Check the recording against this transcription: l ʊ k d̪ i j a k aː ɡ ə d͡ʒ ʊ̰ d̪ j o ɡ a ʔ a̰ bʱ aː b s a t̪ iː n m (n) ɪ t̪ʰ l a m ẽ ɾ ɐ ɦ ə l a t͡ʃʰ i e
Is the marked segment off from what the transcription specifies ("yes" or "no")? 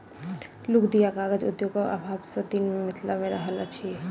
yes